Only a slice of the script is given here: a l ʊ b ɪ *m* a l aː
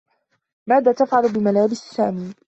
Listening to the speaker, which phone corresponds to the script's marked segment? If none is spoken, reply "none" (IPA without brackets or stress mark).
m